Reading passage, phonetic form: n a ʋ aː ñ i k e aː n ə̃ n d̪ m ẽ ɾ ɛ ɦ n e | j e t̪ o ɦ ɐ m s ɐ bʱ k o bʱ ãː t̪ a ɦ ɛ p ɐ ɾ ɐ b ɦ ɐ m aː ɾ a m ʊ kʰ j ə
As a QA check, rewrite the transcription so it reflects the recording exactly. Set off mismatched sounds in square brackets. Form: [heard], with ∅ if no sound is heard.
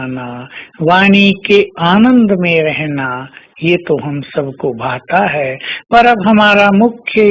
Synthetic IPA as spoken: n a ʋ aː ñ i k e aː n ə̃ n d̪ m ẽ ɾ ɛ ɦ n [a] | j e t̪ o ɦ ɐ m s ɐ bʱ k o bʱ [aː] t̪ a ɦ ɛ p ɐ ɾ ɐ b ɦ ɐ m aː ɾ a m ʊ kʰ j ə